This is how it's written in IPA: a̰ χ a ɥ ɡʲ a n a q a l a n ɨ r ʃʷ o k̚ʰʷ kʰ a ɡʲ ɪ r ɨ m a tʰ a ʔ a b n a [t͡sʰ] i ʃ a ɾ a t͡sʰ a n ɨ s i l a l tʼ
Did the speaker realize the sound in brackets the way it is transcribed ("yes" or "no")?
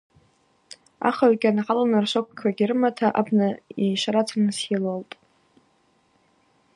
no